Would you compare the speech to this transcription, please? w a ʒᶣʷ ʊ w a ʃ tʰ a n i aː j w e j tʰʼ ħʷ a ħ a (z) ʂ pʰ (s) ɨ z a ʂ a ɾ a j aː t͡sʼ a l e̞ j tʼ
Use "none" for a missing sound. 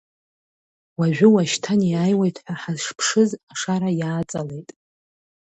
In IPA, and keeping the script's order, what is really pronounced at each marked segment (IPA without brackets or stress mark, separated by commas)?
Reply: z, ʂ